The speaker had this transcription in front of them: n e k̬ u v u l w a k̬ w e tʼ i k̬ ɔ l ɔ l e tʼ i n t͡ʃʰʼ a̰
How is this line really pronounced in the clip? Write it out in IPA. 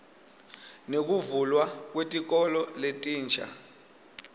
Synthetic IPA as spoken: n e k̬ u v u l w a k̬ w e tʼ i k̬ ɔ l ɔ l e tʼ iː n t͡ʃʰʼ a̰